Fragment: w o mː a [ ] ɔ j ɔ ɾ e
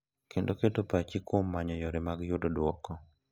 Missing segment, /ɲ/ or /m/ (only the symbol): ɲ